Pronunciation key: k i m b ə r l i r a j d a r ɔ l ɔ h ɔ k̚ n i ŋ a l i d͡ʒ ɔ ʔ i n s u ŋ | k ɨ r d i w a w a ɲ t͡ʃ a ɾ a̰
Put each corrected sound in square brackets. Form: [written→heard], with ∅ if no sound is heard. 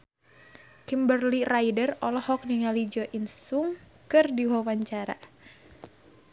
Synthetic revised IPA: k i m b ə r l i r a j d [a→ə] r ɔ l ɔ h ɔ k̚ n i ŋ a l i d͡ʒ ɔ ʔ i n s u ŋ | k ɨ r d i w a w a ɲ t͡ʃ a ɾ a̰